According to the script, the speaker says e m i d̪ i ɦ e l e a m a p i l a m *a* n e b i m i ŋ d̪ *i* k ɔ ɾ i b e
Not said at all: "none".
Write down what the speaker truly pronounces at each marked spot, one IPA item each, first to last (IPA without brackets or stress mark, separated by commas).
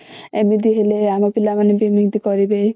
a, i